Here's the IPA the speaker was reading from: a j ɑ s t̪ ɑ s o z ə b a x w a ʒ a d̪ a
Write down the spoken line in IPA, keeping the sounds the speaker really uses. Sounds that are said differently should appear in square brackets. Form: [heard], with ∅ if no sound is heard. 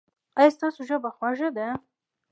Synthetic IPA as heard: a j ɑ s t̪ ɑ s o [ʒ] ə b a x w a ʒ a d̪ a